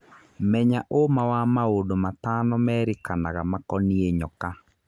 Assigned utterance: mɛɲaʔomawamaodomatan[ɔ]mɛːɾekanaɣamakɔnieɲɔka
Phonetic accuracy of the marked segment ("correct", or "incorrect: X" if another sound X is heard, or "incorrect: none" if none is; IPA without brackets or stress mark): correct